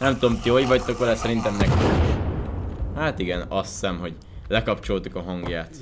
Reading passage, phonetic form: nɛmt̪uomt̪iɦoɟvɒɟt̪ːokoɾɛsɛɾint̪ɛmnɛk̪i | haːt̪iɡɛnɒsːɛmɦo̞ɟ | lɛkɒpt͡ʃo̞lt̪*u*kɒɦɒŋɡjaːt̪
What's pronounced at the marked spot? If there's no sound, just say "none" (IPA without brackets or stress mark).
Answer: u